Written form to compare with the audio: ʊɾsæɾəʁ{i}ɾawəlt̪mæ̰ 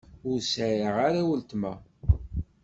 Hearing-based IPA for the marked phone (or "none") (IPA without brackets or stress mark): a